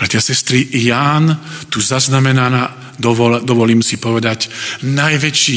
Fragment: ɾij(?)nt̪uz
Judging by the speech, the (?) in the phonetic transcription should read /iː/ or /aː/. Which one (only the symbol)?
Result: aː